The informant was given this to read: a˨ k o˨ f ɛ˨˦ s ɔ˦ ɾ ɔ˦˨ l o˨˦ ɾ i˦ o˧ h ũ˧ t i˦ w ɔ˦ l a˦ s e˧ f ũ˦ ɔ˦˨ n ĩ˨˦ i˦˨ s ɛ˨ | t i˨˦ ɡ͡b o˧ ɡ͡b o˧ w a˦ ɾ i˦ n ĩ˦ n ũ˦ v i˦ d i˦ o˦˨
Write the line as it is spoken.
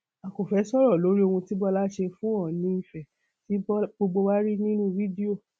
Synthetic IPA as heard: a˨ k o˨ f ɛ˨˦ s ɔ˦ ɾ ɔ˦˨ l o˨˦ ɾ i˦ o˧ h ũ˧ t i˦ b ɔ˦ l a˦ ʃ e˧ f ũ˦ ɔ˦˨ n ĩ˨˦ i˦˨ f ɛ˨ | t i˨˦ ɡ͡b o˧ ɡ͡b o˧ w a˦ ɾ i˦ n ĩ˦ n ũ˦ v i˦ d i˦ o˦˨